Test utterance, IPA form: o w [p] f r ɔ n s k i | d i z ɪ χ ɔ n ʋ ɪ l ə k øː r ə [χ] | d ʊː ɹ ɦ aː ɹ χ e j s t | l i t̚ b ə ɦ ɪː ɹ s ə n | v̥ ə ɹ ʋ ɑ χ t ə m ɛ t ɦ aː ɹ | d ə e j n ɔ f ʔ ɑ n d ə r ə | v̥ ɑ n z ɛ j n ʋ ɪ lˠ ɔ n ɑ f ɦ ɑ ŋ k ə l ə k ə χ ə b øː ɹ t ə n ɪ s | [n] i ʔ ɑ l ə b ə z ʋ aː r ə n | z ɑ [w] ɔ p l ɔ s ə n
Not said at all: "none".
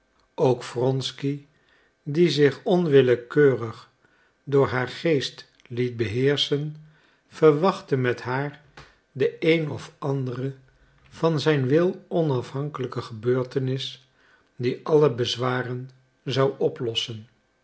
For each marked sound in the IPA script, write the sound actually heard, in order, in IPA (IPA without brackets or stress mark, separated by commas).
k, χ, d, w